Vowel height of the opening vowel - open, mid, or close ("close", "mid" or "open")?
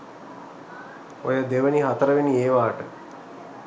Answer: mid